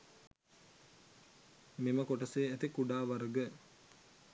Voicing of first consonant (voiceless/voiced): voiced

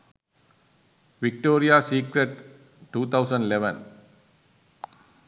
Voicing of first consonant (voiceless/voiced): voiced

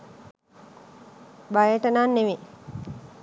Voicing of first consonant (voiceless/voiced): voiced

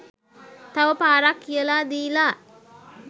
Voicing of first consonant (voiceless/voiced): voiceless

